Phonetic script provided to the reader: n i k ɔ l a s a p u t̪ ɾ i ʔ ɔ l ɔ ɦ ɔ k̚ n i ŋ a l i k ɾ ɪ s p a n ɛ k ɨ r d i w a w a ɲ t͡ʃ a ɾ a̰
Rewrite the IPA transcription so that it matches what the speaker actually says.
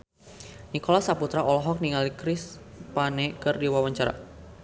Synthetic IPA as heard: n i k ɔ l a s a p u t̪ ɾ a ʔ ɔ l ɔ ɦ ɔ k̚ n i ŋ a l i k ɾ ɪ s p a n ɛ k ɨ r d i w a w a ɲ t͡ʃ a ɾ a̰